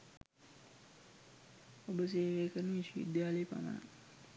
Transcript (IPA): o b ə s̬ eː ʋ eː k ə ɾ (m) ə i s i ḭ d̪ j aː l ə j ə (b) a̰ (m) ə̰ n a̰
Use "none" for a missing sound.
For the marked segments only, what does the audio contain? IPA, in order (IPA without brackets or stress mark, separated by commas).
n, p, m